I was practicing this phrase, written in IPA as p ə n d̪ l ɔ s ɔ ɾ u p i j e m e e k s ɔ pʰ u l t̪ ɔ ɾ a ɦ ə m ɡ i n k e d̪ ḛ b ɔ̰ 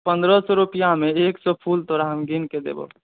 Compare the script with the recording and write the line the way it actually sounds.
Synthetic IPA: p ə n d̪ ɾ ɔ s ɔ ɾ u p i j a m e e k s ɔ pʰ u l t̪ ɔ ɾ a ɦ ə m ɡ i n k e d̪ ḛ b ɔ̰